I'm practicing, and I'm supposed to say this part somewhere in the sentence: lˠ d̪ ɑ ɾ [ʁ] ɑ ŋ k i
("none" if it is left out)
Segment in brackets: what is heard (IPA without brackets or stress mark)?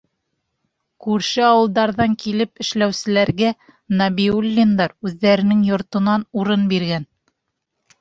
ð